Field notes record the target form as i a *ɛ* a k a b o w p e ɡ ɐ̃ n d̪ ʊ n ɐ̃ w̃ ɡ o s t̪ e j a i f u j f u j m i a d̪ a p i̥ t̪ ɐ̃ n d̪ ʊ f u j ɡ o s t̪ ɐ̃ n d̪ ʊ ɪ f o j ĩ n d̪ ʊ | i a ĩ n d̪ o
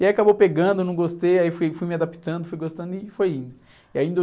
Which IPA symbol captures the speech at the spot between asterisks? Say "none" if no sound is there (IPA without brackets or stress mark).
i